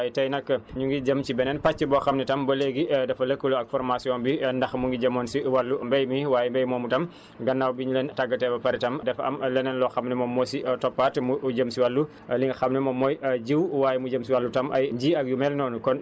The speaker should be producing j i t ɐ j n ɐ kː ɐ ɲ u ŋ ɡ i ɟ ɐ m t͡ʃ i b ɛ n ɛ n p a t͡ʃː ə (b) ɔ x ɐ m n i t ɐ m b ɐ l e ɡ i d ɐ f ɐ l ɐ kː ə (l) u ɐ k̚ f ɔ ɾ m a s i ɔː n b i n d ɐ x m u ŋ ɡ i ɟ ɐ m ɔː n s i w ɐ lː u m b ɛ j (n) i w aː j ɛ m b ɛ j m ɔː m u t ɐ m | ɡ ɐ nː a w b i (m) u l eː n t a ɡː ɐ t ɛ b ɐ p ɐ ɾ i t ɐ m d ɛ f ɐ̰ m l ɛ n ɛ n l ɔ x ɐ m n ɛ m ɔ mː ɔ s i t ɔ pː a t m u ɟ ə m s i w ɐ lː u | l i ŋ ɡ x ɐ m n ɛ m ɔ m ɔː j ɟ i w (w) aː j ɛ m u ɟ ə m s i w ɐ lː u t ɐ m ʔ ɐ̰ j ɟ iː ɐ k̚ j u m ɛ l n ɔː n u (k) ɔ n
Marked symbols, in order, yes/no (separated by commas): yes, yes, no, no, yes, yes